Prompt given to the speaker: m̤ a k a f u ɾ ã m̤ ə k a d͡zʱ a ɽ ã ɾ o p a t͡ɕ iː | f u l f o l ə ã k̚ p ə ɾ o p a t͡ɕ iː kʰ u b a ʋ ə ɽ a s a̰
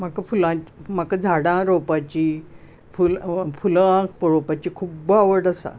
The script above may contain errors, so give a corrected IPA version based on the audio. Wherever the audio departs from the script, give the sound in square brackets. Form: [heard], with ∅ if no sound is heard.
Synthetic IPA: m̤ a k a f u [l] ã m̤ [a] k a d͡zʱ a ɽ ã ɾ o p a t͡ɕ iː | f u l f [u] l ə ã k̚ p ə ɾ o p a t͡ɕ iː kʰ u b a ʋ ə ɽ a s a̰

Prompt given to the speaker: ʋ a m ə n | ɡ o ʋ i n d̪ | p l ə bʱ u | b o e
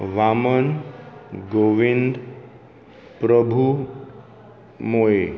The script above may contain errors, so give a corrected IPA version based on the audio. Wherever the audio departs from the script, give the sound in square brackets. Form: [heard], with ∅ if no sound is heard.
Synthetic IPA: ʋ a m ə n | ɡ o ʋ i n d̪ | p [ɾ] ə bʱ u | [m] o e

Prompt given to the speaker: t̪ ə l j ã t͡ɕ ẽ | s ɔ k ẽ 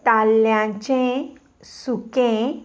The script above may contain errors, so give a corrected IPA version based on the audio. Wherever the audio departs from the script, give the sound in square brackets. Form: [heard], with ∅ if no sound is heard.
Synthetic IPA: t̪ [a] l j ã t͡ɕ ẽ | s [u] k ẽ

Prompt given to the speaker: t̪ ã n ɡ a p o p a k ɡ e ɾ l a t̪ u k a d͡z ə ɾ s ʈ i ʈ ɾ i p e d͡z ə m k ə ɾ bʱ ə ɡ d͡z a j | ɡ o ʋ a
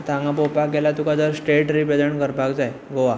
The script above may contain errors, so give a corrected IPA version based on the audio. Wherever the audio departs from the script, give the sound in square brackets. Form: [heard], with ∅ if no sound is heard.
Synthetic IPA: t̪ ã [ŋ] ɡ a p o p a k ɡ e [∅] l a t̪ u k a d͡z ə ɾ s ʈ [e] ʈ ɾ i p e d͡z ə [ɳ] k ə ɾ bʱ [a] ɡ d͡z a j | ɡ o ʋ a

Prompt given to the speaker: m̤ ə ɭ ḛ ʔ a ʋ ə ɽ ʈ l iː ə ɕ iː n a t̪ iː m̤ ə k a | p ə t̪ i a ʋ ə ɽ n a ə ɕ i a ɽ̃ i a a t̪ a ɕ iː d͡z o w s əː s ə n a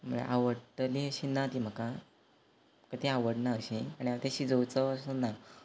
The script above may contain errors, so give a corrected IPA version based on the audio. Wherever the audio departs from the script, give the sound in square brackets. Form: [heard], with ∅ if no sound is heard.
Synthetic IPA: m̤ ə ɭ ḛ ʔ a ʋ ə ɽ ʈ l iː ə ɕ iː n a t̪ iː m̤ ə k a | [k] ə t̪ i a ʋ ə ɽ n a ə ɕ i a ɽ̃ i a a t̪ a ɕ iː d͡z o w [t͡s] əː s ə n a

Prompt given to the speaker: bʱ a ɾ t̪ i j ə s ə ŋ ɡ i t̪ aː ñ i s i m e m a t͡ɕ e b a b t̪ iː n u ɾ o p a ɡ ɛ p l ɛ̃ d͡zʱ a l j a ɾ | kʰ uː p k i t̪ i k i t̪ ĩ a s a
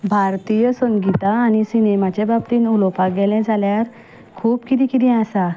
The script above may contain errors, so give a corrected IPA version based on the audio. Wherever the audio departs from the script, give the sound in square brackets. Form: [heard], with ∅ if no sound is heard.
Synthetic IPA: bʱ a ɾ t̪ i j ə s ə ŋ ɡ i t̪ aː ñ i s i [n] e m a t͡ɕ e b a b t̪ iː n u [l] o p a ɡ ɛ [∅] l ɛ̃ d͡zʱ a l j a ɾ | kʰ uː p k i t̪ i k i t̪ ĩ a s a

